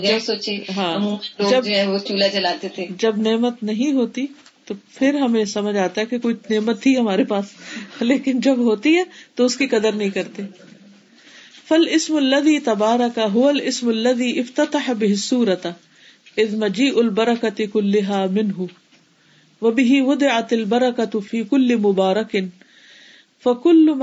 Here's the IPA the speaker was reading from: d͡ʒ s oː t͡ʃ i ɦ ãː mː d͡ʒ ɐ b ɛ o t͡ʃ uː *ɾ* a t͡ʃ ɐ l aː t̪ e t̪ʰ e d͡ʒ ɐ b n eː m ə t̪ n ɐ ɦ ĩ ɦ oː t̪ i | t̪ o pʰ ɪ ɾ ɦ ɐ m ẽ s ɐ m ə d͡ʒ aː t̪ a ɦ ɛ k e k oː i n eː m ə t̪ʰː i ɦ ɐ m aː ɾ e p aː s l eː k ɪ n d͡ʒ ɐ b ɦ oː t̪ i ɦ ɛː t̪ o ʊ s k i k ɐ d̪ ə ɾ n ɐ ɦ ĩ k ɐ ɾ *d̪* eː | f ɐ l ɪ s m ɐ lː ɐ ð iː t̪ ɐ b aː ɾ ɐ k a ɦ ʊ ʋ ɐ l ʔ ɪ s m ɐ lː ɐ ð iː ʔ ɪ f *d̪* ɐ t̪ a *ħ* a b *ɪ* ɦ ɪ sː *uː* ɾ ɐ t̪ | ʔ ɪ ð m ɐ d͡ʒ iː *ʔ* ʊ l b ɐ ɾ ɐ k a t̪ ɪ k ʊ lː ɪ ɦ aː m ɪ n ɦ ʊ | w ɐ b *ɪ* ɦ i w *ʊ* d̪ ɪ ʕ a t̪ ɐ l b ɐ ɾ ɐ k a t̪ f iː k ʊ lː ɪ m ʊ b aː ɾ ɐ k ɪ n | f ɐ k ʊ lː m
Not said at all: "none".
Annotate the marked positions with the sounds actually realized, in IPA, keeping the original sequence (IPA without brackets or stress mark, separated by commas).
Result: l, t̪, t̪, ħ, ɪ, uː, ʔ, ɪ, ʊ